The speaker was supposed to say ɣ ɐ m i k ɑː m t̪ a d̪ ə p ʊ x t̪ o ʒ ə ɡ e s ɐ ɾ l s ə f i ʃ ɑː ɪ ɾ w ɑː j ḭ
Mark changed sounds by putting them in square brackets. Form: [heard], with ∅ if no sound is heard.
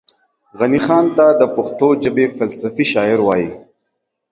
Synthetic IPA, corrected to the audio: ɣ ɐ [n] i [x] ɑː [n] t̪ a d̪ ə p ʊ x t̪ o [d͡ʒ] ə [b] e [f] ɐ [∅] l s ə f i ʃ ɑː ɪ ɾ w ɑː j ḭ